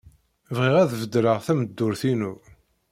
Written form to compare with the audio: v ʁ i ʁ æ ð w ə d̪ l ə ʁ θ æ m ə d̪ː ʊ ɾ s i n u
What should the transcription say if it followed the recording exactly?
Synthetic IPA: v ʁ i ʁ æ ð v ə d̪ ɾ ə ʁ θ æ m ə d̪ː ʊ ɾ θ i n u

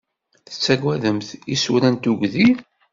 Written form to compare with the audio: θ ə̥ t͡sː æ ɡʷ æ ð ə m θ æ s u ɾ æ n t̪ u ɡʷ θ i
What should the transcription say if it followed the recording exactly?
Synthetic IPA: θ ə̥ t͡sː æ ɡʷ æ ð ə m θ i s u ɾ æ n t̪ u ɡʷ ð i

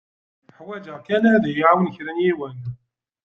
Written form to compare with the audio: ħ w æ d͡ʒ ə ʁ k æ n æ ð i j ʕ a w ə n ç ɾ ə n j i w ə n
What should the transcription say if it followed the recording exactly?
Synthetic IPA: ħ w æ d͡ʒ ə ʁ k æ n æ ð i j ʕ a w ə n ç ɾ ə n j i w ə n

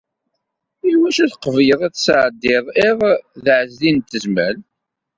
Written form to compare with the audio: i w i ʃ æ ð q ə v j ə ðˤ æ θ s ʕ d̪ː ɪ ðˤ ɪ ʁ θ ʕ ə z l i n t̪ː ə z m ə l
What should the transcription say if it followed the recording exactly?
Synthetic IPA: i w æ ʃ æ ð q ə v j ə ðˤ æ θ s ʕ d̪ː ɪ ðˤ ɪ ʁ ð ʕ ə z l i n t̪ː ə z m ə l

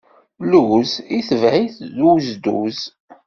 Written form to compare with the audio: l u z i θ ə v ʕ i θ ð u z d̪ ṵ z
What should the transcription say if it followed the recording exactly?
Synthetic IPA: l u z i θ ə v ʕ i θ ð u z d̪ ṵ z

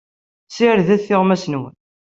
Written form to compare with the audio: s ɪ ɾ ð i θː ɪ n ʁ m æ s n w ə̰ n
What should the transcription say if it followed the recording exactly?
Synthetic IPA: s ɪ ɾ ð æ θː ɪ ʁ m æ s n w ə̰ n

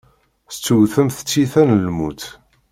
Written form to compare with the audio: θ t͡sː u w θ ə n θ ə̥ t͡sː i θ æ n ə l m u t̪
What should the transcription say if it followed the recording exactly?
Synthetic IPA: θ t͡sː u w θ ə m θ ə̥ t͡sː i θ æ n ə l m u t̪

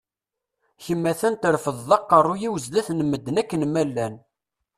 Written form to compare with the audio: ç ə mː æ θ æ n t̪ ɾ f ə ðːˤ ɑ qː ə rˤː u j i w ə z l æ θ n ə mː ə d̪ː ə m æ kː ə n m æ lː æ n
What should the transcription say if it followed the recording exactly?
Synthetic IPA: ç ə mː æ θ æ n t̪ ɾ f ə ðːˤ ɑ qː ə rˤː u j i w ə z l æ θ n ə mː ə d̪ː ə n æ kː ə n m æ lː æ n

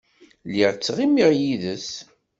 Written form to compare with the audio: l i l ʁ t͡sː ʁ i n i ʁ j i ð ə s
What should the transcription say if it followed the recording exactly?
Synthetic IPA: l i ʁ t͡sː ʁ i m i ʁ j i ð ə s

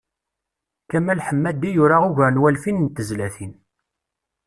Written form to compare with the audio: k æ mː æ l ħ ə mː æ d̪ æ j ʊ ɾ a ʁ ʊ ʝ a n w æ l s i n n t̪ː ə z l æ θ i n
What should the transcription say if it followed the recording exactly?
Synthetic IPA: k æ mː æ l ħ ə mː æ d̪ i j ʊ ɾ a ʁ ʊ ʝ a n w æ l f i n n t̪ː ə z l æ θ i n

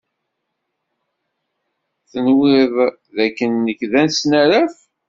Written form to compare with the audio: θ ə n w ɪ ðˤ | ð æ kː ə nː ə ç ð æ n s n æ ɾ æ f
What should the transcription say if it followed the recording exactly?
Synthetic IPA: θ ə n w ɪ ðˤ | ð æ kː ə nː ə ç ð æ n s n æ ɾ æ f

